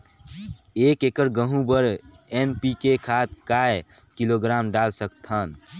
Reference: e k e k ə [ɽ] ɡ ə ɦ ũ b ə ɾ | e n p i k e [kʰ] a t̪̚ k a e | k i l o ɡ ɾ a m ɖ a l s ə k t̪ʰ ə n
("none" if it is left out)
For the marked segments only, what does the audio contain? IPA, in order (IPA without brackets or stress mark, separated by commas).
ɾ, kʰ